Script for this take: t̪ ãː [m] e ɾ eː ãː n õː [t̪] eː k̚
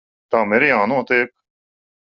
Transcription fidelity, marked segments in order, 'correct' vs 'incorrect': correct, correct

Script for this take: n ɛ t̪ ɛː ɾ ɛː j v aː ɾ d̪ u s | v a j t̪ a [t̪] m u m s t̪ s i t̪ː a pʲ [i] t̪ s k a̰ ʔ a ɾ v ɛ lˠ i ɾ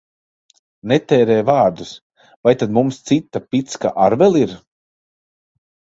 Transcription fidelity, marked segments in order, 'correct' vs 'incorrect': incorrect, correct

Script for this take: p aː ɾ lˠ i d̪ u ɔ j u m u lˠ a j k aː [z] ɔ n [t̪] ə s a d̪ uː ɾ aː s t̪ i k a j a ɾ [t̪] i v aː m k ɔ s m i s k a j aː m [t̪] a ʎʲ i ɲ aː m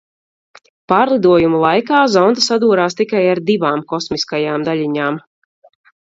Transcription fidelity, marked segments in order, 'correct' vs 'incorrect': correct, incorrect, incorrect, incorrect

